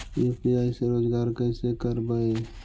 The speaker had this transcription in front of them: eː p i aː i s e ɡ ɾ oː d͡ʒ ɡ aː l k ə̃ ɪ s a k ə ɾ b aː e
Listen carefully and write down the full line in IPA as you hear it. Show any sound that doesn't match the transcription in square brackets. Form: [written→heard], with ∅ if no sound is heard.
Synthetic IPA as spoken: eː p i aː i s e [ɡ→∅] ɾ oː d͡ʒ ɡ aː [l→ɾ] k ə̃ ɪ s [a→e] k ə ɾ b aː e

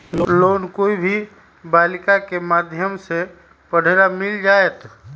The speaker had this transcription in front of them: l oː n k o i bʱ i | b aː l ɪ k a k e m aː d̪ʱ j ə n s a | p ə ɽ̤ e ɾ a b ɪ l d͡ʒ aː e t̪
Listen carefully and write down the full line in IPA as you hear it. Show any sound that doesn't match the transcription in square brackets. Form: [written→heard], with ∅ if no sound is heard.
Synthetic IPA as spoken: l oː n k o i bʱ i | b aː l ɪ k a k e m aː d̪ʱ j ə [n→m] s [a→e] | p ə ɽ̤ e ɾ a [b→m] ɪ l d͡ʒ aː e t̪

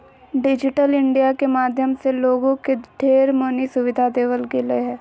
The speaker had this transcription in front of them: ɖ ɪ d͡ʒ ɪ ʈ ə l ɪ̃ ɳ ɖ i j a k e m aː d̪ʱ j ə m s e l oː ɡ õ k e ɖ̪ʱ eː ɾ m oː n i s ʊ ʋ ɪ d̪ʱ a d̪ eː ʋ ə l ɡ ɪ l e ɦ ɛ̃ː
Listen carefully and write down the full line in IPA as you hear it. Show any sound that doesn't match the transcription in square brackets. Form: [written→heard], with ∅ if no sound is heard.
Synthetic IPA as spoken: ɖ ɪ d͡ʒ ɪ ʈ ə l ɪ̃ ɳ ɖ i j a k e m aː d̪ʱ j ə m s e l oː ɡ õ k e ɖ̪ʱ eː ɾ m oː n i s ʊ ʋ ɪ d̪ʱ a d̪ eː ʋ ə l ɡ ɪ l e ɦ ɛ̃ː

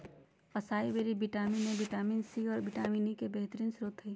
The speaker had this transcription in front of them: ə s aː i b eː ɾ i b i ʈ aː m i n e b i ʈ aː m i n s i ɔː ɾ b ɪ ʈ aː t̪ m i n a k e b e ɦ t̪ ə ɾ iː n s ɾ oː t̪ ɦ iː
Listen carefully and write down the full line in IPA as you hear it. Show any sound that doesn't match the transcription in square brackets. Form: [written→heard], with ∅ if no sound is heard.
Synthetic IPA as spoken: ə s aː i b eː ɾ i b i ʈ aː m i n e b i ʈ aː m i n s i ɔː ɾ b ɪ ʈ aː [t̪→∅] m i n [a→i] k e b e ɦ t̪ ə ɾ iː n s ɾ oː t̪ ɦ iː

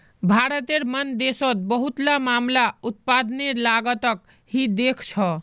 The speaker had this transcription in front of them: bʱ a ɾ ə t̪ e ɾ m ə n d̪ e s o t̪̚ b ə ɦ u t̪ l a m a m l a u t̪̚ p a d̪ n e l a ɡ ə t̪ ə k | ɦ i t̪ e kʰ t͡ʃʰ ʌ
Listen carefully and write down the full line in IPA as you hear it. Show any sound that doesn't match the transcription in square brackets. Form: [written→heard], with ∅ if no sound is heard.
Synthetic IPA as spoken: bʱ a ɾ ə t̪ e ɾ m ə n d̪ e s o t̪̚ b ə ɦ u t̪ l a m a m l a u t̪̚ p a d̪ n e l a ɡ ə t̪ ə k | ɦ i [t̪→d̪] e kʰ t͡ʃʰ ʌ

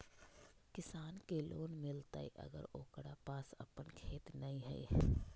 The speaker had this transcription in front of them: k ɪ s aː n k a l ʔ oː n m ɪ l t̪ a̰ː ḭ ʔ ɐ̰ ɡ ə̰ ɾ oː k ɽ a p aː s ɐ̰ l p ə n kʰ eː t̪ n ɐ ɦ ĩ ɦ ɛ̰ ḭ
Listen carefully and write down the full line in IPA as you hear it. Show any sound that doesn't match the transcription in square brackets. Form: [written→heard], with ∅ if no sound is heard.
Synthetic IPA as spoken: k ɪ s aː n k [a→e] l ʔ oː n m ɪ l t̪ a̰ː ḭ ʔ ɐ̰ ɡ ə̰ ɾ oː k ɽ a p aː s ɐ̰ [l→∅] p ə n kʰ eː t̪ n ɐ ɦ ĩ ɦ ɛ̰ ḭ

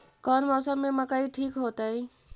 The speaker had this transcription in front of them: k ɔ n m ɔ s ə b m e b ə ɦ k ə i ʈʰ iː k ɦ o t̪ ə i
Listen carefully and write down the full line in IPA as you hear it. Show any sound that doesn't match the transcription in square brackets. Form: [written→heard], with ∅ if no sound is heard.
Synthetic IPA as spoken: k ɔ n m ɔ s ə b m e [b→m] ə [ɦ→∅] k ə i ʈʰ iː k ɦ o t̪ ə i

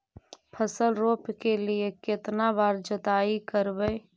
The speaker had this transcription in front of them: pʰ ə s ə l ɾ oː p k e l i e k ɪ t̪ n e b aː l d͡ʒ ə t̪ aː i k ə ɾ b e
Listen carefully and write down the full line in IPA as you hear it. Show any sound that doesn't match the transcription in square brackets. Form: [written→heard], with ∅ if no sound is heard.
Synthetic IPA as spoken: pʰ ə s ə l ɾ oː p k e l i e k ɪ t̪ n [e→a] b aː [l→ɾ] d͡ʒ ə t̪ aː i k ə ɾ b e

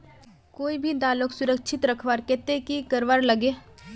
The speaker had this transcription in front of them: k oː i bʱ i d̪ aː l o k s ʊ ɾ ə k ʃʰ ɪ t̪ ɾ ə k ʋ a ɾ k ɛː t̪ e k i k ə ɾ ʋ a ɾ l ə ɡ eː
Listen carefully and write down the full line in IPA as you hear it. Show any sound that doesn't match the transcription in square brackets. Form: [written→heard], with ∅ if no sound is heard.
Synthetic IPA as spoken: k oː i bʱ i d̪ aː l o k s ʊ ɾ ə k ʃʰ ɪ t̪ ɾ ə [k→kʰ] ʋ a ɾ k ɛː t̪ e k i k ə ɾ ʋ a ɾ l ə ɡ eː

